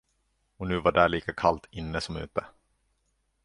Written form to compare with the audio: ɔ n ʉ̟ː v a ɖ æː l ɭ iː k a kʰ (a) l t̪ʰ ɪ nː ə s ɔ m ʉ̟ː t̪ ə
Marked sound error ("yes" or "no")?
no